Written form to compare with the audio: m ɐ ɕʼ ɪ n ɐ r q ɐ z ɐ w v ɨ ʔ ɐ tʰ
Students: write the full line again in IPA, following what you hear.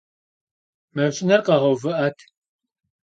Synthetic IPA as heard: m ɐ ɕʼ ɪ n ɐ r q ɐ ʁ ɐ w v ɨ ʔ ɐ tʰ